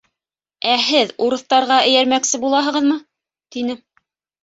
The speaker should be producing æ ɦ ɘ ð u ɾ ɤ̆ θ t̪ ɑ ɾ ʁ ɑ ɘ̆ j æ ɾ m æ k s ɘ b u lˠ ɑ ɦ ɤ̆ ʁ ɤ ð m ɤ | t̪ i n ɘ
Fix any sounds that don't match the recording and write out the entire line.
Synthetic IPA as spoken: æ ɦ ɘ ð u ɾ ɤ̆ θ t̪ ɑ ɾ ʁ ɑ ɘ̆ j æ ɾ m æ k s ɘ b u lˠ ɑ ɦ ɤ̆ ʁ ɤ ð m ɤ | t̪ i n ɘ